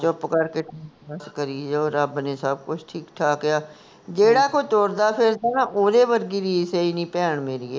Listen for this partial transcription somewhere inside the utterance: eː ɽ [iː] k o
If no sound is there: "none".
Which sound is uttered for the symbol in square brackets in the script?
aː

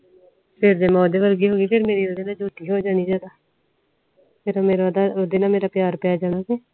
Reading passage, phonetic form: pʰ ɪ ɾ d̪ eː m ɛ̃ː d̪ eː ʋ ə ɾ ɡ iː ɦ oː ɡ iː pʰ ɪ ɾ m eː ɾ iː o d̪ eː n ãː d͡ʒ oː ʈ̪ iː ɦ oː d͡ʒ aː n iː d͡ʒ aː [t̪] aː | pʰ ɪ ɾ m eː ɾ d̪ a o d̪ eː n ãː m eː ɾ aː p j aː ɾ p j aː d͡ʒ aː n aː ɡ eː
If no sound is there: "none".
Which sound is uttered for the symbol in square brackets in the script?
d̪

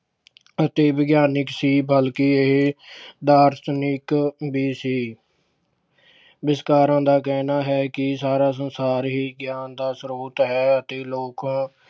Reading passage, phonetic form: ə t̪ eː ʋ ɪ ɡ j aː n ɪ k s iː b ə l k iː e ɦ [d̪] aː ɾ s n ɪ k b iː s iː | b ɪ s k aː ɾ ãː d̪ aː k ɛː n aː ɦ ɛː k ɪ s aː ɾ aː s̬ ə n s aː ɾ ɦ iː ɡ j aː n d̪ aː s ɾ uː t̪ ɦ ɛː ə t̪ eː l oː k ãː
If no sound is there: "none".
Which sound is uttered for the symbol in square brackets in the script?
d̪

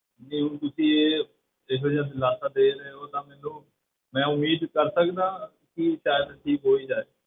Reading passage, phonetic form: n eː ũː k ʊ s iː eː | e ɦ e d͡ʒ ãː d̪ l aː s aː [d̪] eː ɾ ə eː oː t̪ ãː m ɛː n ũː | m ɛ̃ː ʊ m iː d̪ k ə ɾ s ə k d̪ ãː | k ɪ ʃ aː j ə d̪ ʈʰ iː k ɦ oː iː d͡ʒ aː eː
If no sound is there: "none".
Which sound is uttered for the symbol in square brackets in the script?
d̪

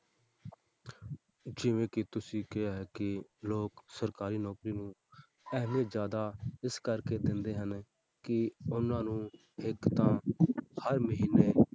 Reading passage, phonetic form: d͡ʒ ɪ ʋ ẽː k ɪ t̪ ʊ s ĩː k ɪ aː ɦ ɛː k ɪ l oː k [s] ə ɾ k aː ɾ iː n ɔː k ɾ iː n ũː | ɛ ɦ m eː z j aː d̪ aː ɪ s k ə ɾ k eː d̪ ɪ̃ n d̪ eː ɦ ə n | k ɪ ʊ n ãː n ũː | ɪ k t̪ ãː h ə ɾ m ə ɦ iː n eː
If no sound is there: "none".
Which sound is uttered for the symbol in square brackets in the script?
s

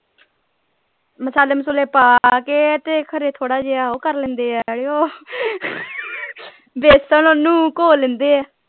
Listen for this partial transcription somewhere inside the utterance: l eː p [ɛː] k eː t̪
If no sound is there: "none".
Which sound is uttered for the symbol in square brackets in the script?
aː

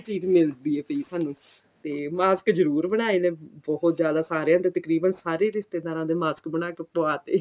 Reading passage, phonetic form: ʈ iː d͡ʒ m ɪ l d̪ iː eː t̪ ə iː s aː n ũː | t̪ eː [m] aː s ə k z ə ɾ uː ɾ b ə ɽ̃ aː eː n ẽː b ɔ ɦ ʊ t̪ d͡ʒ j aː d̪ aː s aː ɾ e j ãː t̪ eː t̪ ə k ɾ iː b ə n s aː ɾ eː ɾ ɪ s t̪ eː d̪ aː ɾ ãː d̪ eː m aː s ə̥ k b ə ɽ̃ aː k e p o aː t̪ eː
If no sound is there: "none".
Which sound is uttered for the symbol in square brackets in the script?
m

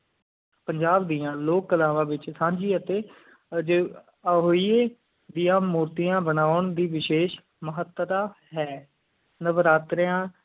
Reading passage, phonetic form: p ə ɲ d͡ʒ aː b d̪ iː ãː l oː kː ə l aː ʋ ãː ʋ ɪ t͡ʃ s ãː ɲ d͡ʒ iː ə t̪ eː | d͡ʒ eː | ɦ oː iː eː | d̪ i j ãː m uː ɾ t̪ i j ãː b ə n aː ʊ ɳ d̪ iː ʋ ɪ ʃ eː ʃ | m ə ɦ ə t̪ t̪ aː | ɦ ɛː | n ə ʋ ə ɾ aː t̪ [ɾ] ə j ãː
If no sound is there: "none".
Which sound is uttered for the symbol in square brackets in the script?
ɾ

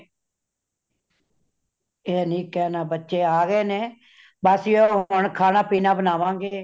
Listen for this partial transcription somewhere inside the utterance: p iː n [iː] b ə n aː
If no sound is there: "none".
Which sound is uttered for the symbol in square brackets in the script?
aː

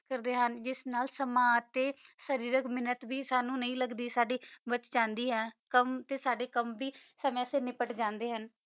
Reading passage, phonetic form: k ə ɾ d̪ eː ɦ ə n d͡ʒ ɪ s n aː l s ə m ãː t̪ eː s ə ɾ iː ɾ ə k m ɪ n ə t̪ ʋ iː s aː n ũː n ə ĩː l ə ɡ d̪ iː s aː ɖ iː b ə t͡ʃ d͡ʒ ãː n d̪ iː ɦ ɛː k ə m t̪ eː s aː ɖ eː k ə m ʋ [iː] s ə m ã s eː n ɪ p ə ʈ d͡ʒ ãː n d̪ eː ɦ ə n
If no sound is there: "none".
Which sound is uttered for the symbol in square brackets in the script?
iː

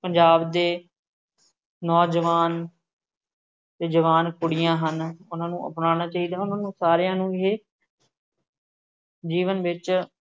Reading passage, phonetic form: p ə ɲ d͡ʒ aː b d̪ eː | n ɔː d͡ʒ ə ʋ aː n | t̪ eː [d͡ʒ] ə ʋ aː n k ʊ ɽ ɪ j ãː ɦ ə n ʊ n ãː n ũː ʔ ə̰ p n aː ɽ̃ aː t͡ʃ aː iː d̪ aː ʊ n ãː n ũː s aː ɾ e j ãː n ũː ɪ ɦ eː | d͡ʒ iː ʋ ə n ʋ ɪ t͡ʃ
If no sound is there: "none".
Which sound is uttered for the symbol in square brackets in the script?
d͡ʒ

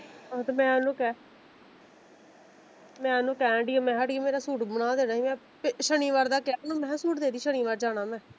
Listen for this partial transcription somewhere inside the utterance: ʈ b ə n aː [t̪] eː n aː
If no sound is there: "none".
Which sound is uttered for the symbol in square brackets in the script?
d̪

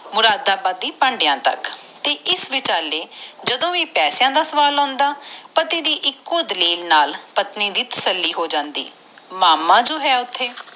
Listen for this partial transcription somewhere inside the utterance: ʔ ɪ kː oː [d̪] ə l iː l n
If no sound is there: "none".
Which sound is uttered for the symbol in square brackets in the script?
d̪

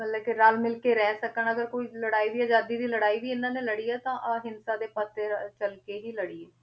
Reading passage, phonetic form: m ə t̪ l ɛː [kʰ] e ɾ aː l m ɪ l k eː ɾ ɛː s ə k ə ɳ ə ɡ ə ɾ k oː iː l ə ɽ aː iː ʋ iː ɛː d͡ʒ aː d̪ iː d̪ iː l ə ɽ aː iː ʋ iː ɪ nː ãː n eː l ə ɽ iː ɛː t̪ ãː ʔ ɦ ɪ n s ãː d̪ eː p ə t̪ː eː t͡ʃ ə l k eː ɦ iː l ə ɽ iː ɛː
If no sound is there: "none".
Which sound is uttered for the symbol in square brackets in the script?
k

